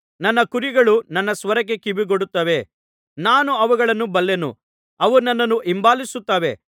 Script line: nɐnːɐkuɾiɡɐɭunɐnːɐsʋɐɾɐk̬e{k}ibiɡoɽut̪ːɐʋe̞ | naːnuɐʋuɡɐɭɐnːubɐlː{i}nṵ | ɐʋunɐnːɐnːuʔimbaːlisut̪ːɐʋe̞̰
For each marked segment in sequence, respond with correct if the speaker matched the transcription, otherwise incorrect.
correct, incorrect: e

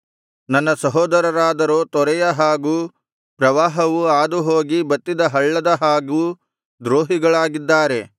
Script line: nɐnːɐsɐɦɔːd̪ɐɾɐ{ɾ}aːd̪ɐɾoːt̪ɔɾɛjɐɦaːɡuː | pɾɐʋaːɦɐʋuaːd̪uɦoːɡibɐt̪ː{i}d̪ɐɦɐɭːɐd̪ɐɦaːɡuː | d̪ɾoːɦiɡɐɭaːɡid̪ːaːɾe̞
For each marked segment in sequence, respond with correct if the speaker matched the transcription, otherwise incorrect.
correct, correct

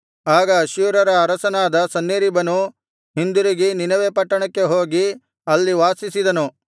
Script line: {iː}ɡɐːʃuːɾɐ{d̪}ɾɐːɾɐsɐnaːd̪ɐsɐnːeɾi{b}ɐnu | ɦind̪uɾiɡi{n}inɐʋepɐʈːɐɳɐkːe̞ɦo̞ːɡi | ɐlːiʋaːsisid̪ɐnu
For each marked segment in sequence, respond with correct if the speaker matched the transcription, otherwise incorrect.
incorrect: aː, incorrect: none, correct, correct

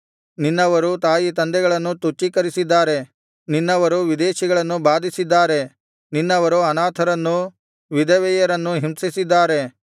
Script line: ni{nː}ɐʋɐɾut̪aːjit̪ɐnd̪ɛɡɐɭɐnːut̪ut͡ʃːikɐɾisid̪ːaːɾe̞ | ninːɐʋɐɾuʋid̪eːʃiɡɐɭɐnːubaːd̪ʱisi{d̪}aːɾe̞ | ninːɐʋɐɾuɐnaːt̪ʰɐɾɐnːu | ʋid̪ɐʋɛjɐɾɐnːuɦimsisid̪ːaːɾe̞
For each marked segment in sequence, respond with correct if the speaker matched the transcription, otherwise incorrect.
correct, incorrect: d̪ː

